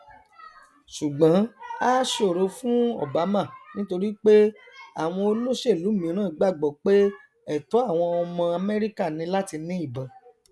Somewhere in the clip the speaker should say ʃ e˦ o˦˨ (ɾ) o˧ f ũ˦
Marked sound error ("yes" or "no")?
no